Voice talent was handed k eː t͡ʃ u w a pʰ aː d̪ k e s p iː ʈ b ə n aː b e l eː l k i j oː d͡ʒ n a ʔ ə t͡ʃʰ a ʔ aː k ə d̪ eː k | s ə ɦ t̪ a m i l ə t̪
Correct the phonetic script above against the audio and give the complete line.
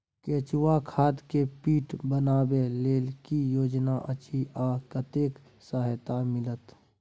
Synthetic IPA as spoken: k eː t͡ʃ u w a kʰ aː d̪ k e p iː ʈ b ə n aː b e l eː l k i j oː d͡ʒ n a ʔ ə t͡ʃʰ i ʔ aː k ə t̪ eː k | s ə ɦ t̪ a m ɪ l ə t̪